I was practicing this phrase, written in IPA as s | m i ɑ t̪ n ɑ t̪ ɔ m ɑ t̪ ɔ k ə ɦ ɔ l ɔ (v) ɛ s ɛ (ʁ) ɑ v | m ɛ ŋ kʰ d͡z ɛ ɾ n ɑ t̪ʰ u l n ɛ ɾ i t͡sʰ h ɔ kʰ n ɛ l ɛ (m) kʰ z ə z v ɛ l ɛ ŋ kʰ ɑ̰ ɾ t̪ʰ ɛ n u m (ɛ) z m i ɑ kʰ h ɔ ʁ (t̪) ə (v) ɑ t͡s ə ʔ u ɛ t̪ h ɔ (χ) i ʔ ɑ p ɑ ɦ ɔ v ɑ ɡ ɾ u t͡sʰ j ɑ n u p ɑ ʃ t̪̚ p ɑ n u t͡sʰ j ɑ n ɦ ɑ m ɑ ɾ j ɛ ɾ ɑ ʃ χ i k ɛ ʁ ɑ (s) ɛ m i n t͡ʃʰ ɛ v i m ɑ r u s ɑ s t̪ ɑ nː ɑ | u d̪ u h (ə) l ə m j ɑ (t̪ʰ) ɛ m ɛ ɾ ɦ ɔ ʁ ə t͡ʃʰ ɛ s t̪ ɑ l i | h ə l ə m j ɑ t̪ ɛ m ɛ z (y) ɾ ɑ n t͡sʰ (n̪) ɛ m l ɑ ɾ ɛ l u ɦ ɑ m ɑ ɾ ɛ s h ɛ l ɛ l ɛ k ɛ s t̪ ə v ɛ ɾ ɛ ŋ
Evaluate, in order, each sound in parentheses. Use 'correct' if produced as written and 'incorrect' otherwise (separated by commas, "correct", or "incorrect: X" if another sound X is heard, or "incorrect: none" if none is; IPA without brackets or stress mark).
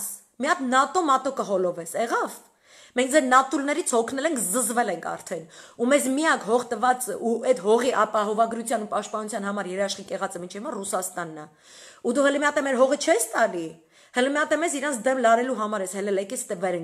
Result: correct, correct, incorrect: ŋ, correct, correct, correct, incorrect: ʁ, incorrect: t͡s, correct, incorrect: t̪, incorrect: i, incorrect: d̪